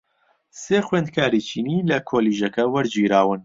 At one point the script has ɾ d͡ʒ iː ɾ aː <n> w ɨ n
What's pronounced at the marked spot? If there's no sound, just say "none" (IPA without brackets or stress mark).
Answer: none